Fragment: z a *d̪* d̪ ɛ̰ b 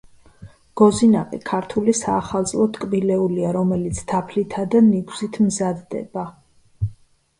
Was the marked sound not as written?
no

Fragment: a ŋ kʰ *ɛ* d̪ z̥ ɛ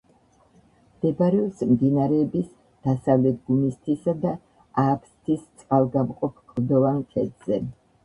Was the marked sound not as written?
no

